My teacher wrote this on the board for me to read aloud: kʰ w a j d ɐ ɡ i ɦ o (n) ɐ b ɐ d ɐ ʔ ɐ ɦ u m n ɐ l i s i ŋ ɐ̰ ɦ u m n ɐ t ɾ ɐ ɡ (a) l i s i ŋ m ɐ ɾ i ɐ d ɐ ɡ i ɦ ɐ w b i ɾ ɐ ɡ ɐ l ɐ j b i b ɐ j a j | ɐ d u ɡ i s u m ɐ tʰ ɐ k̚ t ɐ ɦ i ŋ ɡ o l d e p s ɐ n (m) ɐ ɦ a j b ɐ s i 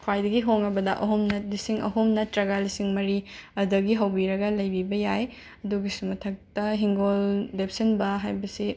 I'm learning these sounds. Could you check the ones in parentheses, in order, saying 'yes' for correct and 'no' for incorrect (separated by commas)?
no, yes, no